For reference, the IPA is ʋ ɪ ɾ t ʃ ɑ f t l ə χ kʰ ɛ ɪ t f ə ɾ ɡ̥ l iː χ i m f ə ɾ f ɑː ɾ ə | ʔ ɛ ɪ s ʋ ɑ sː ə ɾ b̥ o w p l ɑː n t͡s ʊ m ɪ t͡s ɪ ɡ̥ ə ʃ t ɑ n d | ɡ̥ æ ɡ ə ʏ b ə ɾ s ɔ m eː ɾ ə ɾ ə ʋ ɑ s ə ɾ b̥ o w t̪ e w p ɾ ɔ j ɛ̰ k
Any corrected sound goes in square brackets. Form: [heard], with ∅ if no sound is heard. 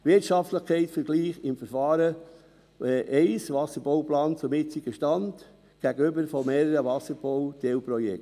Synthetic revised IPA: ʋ ɪ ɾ t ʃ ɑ f t l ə χ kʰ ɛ ɪ t f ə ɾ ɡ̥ l iː χ [ɪ] m f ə ɾ f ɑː ɾ ə | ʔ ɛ ɪ s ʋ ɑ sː ə ɾ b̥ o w p l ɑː n t͡s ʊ m ɪ t͡s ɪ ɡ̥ ə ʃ t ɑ n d | ɡ̥ æ ɡ ə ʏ b ə ɾ [f] ɔ m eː ɾ ə ɾ ə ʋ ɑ s ə ɾ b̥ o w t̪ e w p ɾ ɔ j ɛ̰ k